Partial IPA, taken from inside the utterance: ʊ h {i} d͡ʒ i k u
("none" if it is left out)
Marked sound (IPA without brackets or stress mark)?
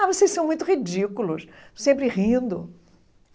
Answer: i